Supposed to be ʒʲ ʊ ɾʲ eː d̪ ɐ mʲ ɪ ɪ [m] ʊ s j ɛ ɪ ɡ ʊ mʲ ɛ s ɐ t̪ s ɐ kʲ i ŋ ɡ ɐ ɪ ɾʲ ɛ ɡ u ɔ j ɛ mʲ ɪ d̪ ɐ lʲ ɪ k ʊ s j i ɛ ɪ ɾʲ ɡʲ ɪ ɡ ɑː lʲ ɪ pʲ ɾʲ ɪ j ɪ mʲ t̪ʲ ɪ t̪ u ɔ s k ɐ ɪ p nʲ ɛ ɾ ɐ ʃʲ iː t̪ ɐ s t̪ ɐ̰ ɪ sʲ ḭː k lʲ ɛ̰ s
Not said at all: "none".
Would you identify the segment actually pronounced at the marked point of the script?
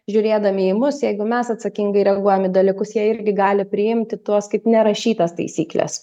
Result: m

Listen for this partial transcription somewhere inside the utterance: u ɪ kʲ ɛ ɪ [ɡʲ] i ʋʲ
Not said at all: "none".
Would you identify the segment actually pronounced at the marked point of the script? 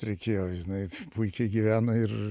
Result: ɡʲ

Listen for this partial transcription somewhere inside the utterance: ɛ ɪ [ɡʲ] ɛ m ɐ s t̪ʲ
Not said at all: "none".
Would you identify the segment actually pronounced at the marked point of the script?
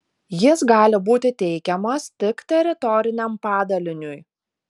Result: kʲ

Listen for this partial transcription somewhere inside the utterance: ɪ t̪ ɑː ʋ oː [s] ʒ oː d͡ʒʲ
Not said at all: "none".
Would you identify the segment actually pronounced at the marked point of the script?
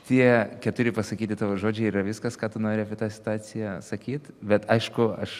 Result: none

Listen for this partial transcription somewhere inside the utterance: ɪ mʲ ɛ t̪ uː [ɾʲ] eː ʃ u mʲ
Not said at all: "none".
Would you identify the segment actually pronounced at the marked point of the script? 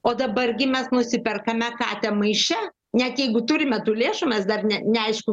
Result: lʲ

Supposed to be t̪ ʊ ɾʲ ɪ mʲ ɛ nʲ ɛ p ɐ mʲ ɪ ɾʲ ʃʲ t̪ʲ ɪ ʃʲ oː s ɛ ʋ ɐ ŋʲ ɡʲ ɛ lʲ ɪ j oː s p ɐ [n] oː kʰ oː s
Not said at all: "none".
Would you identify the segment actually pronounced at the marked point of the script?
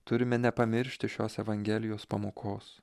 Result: m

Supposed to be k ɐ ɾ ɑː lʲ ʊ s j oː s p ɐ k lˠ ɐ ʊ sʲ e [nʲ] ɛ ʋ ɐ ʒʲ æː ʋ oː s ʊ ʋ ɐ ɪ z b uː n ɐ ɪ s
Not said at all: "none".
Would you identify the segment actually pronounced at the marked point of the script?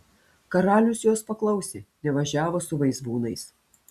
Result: nʲ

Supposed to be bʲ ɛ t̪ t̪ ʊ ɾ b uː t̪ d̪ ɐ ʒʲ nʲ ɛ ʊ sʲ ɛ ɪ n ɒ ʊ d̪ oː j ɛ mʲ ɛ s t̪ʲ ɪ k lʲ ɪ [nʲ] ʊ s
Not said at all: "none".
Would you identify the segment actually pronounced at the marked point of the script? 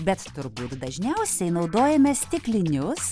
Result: nʲ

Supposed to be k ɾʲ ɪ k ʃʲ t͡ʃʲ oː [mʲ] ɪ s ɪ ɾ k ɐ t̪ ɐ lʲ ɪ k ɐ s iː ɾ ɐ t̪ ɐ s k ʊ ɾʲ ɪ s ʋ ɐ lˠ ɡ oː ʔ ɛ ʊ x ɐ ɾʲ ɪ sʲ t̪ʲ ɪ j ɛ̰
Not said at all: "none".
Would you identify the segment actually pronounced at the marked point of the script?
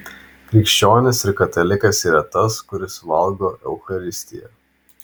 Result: nʲ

